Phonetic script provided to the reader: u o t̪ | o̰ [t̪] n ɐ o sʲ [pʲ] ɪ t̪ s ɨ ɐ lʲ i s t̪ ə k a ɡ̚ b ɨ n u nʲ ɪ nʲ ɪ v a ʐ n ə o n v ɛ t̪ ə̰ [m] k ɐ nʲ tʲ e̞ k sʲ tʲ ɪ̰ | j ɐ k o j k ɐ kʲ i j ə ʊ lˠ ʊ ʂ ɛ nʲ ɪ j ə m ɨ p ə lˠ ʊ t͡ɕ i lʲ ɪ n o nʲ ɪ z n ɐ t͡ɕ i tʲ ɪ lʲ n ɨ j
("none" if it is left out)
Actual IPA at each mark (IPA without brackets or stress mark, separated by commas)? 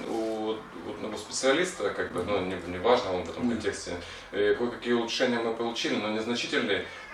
t̪, pʲ, m